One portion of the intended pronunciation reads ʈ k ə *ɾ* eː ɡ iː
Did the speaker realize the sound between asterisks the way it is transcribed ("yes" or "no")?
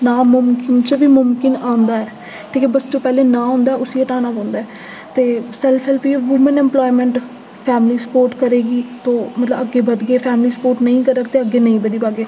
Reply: yes